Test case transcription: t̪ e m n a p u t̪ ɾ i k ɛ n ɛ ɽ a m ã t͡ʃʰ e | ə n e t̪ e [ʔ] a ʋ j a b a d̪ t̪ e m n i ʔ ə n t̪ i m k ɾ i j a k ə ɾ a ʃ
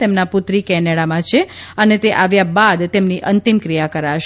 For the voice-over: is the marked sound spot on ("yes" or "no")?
yes